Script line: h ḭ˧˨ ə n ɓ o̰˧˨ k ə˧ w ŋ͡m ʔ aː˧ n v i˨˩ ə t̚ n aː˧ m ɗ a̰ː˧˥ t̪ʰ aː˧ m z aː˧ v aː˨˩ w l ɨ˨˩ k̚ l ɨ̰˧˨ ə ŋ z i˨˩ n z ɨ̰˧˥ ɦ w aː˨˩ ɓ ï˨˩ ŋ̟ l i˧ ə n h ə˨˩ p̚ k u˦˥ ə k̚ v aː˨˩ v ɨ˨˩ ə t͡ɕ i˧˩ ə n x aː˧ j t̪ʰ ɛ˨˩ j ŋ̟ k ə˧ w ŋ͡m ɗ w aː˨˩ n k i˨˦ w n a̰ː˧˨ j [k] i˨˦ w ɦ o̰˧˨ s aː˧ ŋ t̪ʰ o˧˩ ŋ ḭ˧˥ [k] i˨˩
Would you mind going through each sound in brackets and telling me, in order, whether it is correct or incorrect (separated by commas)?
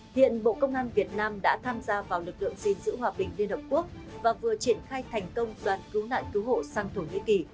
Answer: correct, correct